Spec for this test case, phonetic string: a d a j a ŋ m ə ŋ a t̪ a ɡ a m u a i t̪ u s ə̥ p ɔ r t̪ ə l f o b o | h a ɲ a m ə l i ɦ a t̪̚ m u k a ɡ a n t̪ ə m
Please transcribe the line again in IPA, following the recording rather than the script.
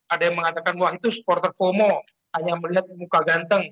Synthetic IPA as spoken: a d a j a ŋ m ə ŋ a t̪ a k a n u a i t̪ u s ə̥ p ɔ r t̪ ə r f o m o | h a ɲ a m ə l i ɦ a t̪̚ m u k a ɡ a n t̪ ə ŋ